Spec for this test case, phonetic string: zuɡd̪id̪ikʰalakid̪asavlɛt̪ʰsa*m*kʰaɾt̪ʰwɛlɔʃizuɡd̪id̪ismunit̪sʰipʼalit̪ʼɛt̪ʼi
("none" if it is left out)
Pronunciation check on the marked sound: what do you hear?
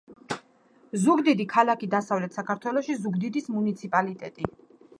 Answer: none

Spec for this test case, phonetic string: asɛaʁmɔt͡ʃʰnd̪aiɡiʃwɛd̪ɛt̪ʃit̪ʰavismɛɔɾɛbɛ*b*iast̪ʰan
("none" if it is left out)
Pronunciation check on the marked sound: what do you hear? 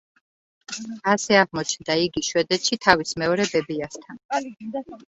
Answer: b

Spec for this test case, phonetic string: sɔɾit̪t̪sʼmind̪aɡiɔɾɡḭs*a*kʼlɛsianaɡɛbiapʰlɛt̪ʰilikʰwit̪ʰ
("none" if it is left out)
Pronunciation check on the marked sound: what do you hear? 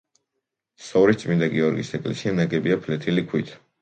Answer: ɛ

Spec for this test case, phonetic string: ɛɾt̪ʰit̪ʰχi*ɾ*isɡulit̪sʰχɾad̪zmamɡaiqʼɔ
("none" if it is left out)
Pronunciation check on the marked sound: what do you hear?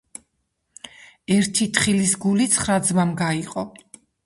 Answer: l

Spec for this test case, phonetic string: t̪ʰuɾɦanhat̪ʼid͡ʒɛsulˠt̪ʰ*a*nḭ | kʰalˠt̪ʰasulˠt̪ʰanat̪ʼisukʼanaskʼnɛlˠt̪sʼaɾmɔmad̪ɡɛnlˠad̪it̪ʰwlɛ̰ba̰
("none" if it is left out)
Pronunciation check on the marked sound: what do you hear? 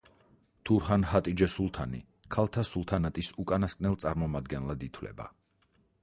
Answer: a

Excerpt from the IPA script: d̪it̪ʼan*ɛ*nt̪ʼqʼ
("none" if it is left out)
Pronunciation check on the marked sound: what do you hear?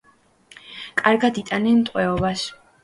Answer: ɛ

